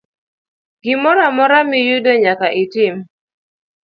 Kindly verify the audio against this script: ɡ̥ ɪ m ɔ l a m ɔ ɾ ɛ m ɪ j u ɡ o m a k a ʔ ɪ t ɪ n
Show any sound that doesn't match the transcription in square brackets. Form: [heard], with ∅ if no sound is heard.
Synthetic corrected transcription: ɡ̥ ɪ m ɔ [ɾ] a m ɔ ɾ [a] m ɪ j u [d] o [ɲ] a k a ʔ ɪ t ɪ [m]